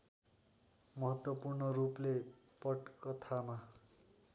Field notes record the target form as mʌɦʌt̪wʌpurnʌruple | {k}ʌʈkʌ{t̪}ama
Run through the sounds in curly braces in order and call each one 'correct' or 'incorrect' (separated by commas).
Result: incorrect, incorrect